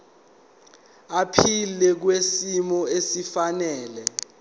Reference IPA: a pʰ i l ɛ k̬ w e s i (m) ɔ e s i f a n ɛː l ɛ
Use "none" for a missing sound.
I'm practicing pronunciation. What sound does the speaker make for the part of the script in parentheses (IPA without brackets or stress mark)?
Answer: m